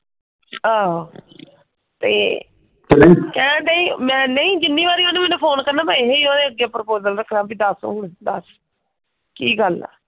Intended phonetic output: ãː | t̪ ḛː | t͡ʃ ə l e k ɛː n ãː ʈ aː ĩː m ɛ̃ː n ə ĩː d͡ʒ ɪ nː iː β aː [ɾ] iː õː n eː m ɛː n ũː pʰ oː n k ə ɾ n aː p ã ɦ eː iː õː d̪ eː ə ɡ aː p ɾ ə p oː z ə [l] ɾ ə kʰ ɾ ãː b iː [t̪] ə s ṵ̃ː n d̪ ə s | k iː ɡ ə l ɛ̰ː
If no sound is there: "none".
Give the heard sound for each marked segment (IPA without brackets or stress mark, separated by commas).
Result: ɾ, l, d̪